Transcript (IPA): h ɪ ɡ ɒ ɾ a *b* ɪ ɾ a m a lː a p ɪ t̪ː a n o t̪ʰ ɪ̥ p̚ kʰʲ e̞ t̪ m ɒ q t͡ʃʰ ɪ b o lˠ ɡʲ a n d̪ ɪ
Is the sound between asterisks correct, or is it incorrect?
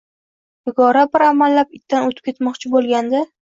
correct